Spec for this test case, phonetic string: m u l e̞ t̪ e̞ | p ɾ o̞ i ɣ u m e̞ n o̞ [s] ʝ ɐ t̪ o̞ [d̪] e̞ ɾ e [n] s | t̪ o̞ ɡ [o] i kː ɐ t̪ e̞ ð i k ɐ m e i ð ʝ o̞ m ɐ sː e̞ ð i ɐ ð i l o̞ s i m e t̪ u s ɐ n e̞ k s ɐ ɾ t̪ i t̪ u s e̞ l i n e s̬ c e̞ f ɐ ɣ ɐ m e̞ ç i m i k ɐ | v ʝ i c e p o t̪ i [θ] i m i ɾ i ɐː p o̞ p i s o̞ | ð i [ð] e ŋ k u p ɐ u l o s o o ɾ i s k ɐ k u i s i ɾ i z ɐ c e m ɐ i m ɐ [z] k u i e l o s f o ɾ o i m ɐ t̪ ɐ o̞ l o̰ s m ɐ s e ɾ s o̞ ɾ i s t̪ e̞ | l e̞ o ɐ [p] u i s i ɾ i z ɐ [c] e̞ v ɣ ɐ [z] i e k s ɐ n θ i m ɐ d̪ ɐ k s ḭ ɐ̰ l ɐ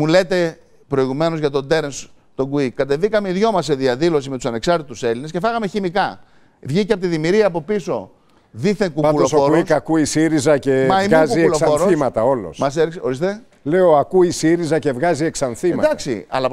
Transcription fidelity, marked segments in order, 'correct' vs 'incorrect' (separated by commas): incorrect, correct, correct, incorrect, incorrect, incorrect, correct, incorrect, correct, correct